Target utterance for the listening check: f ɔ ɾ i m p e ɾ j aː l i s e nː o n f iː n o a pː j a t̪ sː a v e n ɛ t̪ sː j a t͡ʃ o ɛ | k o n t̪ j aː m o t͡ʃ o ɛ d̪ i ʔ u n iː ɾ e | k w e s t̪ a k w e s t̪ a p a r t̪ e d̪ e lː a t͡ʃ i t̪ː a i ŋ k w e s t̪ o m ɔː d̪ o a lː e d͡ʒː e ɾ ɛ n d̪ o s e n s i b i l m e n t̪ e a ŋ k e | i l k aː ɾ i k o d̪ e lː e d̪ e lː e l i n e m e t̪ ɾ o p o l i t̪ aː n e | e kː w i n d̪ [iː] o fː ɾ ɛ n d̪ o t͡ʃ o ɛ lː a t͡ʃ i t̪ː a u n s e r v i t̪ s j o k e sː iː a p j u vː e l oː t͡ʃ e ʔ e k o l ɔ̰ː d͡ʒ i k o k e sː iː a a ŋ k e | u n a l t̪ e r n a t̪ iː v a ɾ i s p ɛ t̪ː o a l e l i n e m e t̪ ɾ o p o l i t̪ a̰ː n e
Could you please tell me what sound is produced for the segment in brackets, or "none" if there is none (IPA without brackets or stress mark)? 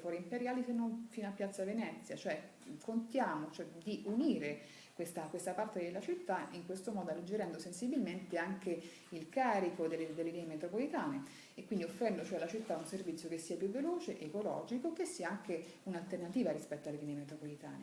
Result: i